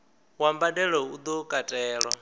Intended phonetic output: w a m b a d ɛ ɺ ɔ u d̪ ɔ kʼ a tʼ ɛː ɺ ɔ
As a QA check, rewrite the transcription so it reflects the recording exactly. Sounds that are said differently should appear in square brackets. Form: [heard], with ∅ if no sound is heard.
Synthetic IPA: w a m b a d ɛ ɺ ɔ u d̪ ɔ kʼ a tʼ ɛː ɺ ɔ